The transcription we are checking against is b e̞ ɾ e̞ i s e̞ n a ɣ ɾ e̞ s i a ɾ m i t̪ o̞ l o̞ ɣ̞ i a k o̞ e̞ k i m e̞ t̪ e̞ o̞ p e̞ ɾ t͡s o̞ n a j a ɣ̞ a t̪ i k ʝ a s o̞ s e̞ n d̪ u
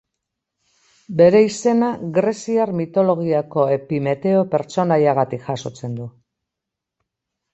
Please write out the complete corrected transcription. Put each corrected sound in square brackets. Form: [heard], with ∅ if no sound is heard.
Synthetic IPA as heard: b e̞ ɾ e̞ i s e̞ n a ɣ ɾ e̞ s i a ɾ m i t̪ o̞ l o̞ ɣ̞ i a k o̞ e̞ [p] i m e̞ t̪ e̞ o̞ p e̞ ɾ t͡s o̞ n a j a ɣ̞ a t̪ i k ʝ a s o̞ [t͡s] e̞ n d̪ u